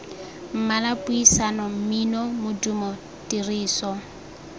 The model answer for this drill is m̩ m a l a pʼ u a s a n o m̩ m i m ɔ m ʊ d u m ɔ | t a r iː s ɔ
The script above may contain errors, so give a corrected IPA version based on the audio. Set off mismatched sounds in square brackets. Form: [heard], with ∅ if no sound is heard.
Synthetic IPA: m̩ m a l a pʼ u [i] s a n [ɔ] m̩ m i [n] ɔ m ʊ d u m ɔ | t [i] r iː s ɔ